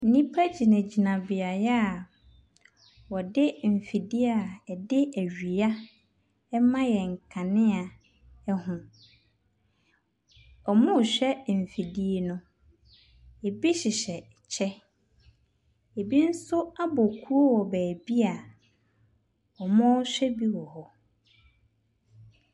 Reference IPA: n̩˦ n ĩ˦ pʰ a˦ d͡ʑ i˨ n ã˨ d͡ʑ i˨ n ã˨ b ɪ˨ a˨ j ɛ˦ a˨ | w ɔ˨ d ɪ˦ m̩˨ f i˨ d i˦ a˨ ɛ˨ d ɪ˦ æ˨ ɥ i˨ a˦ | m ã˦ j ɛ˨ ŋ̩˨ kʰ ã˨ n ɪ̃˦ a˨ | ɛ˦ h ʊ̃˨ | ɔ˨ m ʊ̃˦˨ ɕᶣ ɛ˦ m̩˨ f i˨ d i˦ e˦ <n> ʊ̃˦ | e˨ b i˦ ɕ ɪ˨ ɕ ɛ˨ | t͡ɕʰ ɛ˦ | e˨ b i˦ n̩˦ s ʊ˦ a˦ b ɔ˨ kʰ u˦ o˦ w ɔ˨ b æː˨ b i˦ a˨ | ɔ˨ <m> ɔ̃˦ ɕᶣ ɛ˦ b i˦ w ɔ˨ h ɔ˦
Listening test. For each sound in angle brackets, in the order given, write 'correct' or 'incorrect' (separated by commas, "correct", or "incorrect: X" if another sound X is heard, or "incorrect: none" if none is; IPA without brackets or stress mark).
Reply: correct, correct